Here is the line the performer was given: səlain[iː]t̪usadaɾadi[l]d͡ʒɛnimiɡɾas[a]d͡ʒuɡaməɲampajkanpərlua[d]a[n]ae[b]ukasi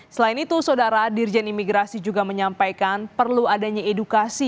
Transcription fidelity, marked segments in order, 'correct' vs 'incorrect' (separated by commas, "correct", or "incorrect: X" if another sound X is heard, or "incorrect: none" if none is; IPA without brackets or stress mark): incorrect: i, incorrect: r, incorrect: i, correct, incorrect: ɲ, incorrect: d